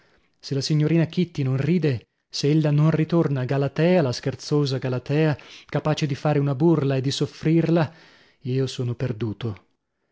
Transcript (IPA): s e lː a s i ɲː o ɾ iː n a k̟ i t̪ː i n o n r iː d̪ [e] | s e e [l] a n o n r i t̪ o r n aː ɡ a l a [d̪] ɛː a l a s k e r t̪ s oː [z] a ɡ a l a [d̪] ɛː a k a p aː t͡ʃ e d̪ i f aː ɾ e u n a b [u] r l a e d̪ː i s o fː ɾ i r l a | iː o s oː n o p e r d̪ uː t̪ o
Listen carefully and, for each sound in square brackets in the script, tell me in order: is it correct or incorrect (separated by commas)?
correct, incorrect, incorrect, correct, incorrect, correct